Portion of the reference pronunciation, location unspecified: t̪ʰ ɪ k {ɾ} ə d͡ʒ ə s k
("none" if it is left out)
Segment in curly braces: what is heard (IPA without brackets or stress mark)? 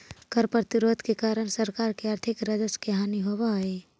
ɾ